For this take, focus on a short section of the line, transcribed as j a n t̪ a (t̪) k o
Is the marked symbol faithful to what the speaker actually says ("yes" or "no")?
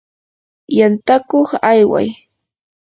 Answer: no